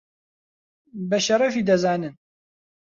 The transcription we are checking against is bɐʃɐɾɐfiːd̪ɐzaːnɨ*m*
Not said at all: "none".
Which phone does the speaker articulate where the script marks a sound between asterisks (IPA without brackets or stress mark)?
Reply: n